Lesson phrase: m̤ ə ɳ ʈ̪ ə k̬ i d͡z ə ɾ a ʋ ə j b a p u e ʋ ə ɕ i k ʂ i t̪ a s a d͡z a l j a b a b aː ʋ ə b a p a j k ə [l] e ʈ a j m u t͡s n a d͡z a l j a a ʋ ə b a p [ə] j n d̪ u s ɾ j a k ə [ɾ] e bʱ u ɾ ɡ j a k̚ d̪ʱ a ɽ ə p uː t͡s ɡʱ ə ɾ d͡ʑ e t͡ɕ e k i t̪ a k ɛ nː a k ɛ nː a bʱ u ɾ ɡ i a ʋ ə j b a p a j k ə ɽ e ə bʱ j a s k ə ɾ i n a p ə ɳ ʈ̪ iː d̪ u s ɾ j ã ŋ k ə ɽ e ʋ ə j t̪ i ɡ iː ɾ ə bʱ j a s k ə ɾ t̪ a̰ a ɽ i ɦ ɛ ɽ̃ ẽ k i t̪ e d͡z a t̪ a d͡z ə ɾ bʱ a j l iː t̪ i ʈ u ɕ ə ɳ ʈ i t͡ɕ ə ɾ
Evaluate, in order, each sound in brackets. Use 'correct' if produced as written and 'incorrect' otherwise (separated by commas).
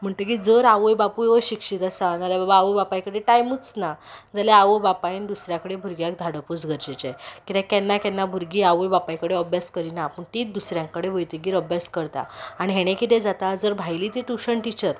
incorrect, incorrect, incorrect